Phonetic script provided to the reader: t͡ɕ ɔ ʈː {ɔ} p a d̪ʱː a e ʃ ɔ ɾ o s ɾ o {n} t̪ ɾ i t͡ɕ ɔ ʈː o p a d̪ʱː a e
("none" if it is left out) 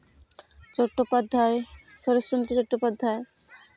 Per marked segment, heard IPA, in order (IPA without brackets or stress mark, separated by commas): o, n